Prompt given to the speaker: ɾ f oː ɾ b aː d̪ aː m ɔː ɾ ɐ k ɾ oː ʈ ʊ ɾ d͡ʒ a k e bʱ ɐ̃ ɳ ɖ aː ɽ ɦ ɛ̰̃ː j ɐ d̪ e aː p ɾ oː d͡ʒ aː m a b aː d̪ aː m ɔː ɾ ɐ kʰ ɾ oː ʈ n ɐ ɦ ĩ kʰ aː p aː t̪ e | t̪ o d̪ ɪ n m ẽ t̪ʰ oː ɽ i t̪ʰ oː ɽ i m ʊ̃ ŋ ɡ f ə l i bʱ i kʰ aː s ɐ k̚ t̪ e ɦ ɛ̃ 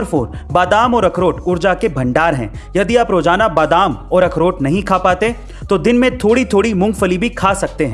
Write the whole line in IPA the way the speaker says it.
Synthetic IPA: ɾ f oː ɾ b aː d̪ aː m ɔː ɾ ɐ k ɾ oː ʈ ʊ ɾ d͡ʒ a k e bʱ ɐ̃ ɳ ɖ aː ɾ ɦ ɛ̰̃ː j ɐ d̪ i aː p ɾ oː d͡ʒ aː n a b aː d̪ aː m ɔː ɾ ɐ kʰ ɾ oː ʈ n ɐ ɦ ĩ kʰ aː p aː t̪ e | t̪ o d̪ ɪ n m ẽ t̪ʰ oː ɽ i t̪ʰ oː ɽ i m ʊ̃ ŋ ɡ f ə l i bʱ i kʰ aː s ɐ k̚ t̪ e ɦ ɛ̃